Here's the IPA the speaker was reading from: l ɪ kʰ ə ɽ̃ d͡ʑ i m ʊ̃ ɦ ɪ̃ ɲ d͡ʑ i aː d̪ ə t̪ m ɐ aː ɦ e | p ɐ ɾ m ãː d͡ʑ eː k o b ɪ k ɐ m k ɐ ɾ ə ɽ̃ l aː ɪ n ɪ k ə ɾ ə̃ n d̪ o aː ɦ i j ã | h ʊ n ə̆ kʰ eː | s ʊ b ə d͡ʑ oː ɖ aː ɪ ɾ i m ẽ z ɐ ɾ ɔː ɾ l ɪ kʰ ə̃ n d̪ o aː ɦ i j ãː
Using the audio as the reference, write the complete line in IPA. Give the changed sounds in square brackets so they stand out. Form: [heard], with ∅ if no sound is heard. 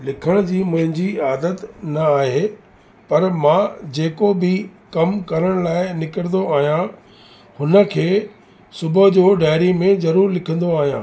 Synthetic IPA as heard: l ɪ kʰ ə ɽ̃ d͡ʑ [iː] m ʊ̃ ɦ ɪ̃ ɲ d͡ʑ i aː d̪ ə t̪ [n] ɐ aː ɦ e | p ɐ ɾ m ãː d͡ʑ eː k o b ɪ k ɐ m k ɐ ɾ ə ɽ̃ l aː ɪ n ɪ k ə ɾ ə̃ n d̪ o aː ɦ i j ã | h ʊ n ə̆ kʰ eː | s ʊ b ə d͡ʑ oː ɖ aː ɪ ɾ i m ẽ z ɐ ɾ [uː] ɾ l ɪ kʰ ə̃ n d̪ o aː ɦ i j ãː